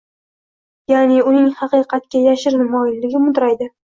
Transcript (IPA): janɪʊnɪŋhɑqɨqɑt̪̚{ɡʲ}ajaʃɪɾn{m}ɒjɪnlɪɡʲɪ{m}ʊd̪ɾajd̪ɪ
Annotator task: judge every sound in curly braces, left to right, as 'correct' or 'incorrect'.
incorrect: kʲ, correct, correct

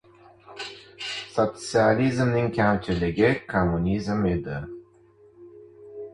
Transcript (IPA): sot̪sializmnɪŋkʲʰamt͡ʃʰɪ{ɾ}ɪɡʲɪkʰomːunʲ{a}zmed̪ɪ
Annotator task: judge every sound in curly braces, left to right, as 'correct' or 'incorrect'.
incorrect: l, incorrect: i

